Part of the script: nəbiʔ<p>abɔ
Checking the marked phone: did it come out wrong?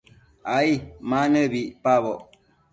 no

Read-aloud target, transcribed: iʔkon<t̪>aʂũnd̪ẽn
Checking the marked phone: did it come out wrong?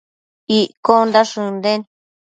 yes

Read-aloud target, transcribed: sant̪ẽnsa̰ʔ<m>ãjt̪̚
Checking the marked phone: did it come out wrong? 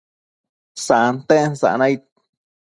yes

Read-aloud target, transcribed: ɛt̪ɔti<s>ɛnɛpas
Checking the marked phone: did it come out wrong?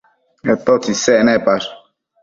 no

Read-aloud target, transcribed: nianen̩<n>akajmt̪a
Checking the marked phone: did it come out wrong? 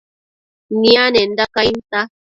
yes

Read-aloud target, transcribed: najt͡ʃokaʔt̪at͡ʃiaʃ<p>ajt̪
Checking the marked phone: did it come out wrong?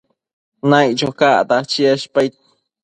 no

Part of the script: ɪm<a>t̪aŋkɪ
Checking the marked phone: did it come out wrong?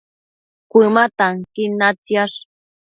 no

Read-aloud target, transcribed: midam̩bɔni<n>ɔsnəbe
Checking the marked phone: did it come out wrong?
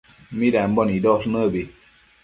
yes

